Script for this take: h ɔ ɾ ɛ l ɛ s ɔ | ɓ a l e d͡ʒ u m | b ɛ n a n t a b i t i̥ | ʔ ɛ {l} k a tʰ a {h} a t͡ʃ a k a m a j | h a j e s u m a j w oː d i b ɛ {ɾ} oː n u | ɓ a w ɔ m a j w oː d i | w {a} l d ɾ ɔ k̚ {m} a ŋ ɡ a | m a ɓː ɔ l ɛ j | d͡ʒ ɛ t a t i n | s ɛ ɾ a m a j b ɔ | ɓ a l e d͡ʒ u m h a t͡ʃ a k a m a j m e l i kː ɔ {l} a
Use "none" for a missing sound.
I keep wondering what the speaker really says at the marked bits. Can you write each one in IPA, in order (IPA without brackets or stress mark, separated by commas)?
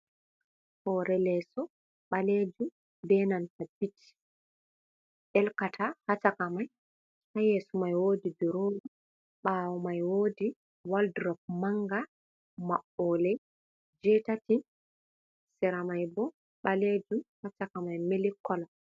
l, h, ɾ, a, m, l